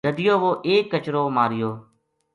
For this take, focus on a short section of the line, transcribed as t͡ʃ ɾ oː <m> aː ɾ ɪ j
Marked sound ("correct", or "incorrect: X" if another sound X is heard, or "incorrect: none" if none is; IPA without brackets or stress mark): correct